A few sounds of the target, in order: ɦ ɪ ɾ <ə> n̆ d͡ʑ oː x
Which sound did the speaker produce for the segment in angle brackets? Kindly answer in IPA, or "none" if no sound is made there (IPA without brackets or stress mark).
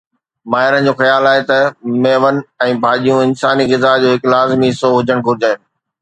ə